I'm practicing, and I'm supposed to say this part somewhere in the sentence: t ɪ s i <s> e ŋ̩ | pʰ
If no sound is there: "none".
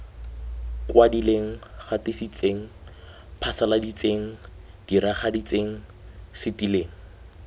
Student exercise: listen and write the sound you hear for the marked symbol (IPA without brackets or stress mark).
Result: t͡s